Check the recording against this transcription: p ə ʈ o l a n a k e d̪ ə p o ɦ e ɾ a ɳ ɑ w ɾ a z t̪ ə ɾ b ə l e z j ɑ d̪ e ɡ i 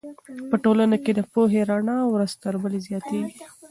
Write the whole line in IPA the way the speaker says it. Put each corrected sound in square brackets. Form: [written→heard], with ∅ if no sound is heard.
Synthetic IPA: p ə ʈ o l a n a k e d̪ ə p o ɦ e ɾ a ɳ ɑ w ɾ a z t̪ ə ɾ b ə l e z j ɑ [d̪→t̪] e ɡ i